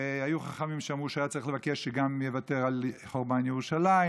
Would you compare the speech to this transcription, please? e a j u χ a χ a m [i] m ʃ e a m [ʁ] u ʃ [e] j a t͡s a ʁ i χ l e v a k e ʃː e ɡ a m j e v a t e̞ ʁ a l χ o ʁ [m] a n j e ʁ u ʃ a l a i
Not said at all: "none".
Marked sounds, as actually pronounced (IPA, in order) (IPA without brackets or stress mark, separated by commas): i, ʁ, a, b